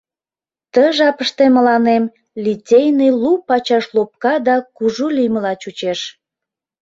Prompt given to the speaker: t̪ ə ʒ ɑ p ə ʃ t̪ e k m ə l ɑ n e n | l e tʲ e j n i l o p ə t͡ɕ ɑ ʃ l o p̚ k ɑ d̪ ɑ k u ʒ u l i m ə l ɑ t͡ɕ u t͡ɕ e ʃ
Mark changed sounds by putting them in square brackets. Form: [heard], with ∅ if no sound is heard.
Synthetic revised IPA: t̪ ə ʒ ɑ p ə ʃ t̪ e [∅] m ə l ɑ n e [m] | l [i] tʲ e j n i l [u] p [ɑ] t͡ɕ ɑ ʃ l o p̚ k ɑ d̪ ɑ k u ʒ u l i m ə l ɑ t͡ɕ u t͡ɕ e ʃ